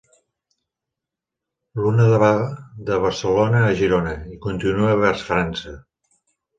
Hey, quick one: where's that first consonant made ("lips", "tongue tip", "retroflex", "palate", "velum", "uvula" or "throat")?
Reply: tongue tip